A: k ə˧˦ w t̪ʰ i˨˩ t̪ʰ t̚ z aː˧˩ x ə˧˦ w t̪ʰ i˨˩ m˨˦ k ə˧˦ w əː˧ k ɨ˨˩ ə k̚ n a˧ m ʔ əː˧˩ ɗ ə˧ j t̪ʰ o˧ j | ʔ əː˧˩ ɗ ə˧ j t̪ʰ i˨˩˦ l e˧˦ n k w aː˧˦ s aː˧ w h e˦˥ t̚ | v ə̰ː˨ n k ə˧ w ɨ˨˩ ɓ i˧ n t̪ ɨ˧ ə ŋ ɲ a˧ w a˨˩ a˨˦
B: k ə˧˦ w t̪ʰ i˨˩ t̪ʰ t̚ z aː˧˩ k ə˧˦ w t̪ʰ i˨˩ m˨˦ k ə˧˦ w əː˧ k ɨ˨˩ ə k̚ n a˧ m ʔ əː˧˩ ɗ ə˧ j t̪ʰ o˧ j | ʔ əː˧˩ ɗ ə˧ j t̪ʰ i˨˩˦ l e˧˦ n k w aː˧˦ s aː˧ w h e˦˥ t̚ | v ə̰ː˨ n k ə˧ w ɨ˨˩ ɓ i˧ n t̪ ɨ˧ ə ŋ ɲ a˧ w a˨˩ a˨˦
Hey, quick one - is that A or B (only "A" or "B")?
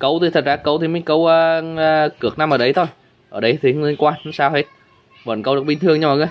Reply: B